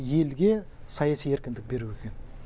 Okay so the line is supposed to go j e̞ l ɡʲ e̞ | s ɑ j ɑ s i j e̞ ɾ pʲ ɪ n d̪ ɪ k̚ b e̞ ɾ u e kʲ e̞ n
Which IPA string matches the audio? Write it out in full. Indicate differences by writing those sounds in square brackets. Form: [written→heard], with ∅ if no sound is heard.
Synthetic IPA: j e̞ l ɡʲ e̞ | s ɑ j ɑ s i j e̞ ɾ [pʲ→kʲ] ɪ n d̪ ɪ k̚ b e̞ ɾ u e kʲ e̞ n